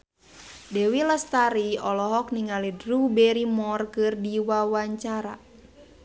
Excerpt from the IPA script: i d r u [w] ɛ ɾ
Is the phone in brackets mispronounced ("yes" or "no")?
yes